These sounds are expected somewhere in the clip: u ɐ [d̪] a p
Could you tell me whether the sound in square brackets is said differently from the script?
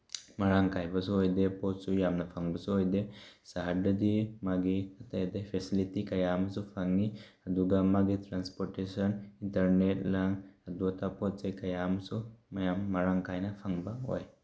yes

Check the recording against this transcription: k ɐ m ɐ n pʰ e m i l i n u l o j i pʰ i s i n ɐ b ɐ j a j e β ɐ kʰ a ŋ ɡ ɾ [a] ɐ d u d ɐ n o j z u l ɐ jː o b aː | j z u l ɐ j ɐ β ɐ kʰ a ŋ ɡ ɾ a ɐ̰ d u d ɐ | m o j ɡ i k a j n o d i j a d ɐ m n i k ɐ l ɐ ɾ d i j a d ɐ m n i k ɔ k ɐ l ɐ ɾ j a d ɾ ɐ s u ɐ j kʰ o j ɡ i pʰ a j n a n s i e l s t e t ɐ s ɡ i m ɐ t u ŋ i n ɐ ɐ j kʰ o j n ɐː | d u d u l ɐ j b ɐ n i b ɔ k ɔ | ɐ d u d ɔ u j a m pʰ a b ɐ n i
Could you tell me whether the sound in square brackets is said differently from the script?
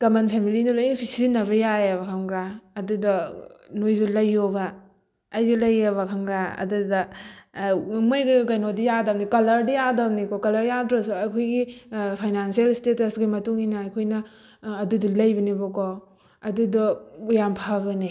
no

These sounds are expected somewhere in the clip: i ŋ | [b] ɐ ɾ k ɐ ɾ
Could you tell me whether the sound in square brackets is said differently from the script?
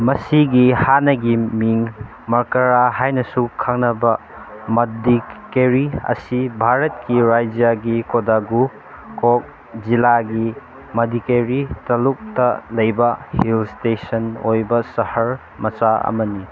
yes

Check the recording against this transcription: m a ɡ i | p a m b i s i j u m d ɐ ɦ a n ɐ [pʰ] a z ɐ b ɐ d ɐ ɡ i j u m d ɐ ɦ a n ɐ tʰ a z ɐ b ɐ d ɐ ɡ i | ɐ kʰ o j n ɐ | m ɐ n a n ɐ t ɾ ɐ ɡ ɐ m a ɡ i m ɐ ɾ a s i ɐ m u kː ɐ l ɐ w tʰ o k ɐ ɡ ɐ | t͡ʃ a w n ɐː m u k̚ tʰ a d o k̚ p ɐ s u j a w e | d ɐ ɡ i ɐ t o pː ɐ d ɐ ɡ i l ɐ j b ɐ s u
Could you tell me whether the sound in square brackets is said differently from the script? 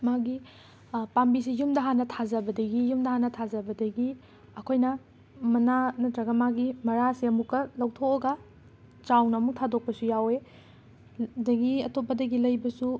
yes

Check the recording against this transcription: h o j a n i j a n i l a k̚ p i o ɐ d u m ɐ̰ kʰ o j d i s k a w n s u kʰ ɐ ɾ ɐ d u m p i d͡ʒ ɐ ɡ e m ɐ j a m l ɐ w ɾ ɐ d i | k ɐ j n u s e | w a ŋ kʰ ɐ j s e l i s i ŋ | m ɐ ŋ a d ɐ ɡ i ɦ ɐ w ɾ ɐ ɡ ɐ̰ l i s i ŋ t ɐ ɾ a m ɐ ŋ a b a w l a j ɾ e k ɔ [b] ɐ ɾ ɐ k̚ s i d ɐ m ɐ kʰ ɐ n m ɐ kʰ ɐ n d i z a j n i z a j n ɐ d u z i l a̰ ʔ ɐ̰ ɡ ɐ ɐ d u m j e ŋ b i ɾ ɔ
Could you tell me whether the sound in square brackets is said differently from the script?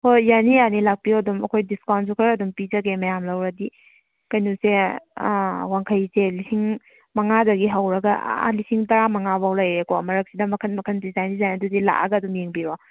yes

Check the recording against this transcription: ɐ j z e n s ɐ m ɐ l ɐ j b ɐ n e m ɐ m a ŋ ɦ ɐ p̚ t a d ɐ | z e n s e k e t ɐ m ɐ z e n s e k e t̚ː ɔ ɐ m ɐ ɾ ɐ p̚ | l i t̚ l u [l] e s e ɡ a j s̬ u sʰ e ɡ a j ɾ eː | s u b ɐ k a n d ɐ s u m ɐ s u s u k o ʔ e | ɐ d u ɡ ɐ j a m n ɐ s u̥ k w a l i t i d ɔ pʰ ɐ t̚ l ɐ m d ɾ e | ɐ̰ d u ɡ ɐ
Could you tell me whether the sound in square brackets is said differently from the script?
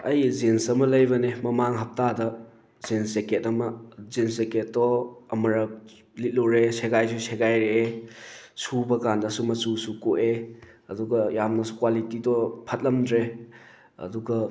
yes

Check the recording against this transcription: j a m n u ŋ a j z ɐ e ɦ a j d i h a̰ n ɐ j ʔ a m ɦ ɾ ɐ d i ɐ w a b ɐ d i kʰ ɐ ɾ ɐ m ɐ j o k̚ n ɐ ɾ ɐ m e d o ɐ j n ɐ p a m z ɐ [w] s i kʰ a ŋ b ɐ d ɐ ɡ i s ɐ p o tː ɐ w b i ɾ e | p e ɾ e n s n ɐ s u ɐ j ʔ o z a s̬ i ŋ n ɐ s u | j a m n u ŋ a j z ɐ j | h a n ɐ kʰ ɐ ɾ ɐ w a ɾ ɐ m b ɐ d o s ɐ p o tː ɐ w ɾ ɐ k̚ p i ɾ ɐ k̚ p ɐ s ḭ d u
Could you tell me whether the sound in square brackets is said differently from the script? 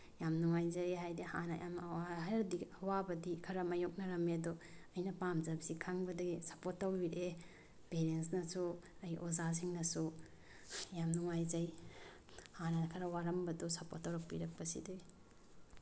yes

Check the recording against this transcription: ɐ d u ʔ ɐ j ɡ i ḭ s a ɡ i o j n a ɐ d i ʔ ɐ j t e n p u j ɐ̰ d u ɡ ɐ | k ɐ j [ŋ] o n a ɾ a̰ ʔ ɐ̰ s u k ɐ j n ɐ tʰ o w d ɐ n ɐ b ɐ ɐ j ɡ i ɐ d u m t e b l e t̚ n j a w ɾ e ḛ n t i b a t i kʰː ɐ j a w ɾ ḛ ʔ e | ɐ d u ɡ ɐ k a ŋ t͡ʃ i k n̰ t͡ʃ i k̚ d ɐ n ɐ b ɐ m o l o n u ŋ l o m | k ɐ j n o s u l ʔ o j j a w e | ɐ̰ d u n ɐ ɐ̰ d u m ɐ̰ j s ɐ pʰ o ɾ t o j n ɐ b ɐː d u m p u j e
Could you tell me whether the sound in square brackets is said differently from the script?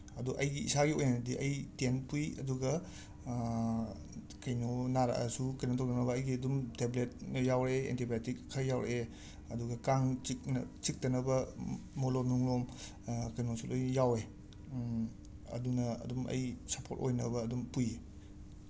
yes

